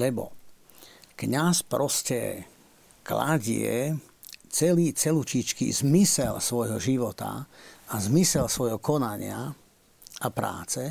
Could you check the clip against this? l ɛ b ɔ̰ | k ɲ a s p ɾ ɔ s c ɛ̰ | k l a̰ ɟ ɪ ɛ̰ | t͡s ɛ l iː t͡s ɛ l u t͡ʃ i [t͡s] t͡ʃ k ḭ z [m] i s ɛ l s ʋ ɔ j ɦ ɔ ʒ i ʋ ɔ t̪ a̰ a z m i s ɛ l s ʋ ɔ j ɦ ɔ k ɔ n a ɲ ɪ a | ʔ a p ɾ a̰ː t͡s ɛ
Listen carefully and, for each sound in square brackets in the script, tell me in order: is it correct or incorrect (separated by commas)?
incorrect, correct